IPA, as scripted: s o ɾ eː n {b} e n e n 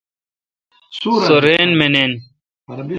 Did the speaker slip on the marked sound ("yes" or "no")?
yes